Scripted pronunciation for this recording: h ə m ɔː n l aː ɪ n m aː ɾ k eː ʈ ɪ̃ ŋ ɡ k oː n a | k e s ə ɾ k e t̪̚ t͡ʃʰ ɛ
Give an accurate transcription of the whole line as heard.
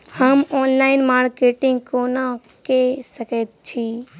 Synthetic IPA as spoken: h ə m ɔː n l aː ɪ n m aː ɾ k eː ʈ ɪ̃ ŋ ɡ k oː n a | k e s ə k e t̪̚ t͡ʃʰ i